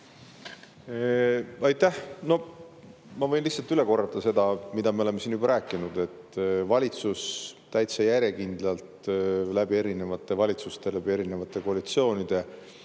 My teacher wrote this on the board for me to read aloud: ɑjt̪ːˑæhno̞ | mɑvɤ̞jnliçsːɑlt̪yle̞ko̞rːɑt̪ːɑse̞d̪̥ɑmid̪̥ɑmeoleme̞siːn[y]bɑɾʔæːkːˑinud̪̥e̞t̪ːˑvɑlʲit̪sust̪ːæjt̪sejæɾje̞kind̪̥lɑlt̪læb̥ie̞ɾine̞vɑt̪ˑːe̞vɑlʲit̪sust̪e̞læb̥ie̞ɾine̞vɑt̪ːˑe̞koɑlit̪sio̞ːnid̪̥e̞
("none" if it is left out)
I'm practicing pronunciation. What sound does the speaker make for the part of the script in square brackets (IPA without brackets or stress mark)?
y